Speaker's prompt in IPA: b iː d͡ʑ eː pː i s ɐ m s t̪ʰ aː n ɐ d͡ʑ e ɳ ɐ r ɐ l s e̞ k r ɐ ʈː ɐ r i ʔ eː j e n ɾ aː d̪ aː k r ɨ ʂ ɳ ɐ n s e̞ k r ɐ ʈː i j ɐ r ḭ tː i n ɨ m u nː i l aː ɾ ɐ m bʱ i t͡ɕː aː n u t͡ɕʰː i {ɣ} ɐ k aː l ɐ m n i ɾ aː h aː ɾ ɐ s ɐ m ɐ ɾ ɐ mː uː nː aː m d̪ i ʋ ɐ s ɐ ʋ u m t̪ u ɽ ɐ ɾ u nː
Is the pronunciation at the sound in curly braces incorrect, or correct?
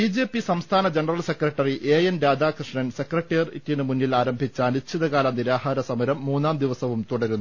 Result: incorrect